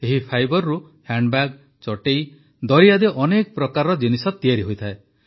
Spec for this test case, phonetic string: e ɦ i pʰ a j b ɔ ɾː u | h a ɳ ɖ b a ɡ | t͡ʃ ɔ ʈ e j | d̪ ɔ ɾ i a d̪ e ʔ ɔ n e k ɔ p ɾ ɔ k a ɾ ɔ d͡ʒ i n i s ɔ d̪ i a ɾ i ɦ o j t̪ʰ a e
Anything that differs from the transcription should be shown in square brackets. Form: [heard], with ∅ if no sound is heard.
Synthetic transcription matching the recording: e ɦ i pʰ a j b ɔ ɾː u | h a ɳ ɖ b a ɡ | t͡ʃ ɔ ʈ e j | d̪ ɔ ɾ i a d̪ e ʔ ɔ n e k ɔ p ɾ ɔ k a ɾ ɔ d͡ʒ i n i s ɔ [t̪] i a ɾ i ɦ o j t̪ʰ a e